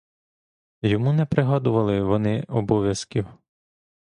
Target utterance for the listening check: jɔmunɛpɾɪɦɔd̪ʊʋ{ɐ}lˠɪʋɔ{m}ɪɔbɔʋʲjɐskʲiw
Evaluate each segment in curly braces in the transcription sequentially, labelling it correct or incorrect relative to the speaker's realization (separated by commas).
correct, incorrect